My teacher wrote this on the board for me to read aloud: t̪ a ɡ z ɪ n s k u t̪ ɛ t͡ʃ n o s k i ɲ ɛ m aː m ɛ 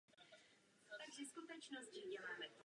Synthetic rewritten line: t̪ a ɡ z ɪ s k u t̪ ɛ t͡ʃ n o s c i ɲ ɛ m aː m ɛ